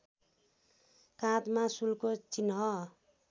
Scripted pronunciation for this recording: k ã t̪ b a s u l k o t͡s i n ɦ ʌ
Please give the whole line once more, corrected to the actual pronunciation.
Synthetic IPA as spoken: k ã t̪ m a s u l k o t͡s i n ɦ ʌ